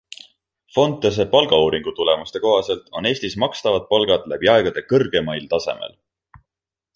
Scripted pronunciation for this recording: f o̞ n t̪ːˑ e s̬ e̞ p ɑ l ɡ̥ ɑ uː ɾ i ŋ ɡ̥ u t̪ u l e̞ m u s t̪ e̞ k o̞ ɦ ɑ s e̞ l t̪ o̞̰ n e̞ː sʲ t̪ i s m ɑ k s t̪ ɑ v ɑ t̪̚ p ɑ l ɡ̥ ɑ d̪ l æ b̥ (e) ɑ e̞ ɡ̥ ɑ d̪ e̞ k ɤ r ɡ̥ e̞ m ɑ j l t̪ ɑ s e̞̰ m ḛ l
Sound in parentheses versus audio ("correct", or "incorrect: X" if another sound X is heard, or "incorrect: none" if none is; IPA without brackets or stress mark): incorrect: i